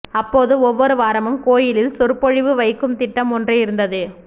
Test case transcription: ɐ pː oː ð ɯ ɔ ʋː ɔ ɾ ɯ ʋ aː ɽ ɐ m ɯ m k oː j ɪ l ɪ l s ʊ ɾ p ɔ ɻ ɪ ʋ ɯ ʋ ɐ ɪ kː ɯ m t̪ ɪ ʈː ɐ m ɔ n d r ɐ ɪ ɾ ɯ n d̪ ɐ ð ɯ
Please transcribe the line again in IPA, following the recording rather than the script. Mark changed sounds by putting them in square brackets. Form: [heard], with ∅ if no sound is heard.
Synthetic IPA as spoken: ɐ pː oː ð ɯ ɔ ʋː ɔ ɾ ɯ ʋ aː [ɾ] ɐ m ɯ m k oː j ɪ l ɪ l s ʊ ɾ p ɔ ɻ ɪ ʋ ɯ ʋ ɐ ɪ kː ɯ m t̪ ɪ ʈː ɐ m ɔ n d r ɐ ɪ ɾ ɯ n d̪ ɐ ð ɯ